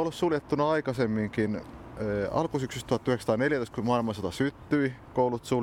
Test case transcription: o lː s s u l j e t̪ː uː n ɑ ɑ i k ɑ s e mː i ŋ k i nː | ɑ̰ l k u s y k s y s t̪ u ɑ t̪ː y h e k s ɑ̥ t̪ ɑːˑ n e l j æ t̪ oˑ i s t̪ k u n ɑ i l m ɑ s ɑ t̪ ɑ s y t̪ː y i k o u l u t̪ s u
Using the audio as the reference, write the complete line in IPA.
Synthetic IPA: o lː s s u l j e t̪ː u n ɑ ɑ i k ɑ s e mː i ŋ k i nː | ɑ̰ l k u s y k s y s t̪ u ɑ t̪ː y h e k s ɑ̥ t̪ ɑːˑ n e l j æ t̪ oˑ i s t̪ k u m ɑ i l m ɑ s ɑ t̪ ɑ s y t̪ː y i k o u l u t̪ s u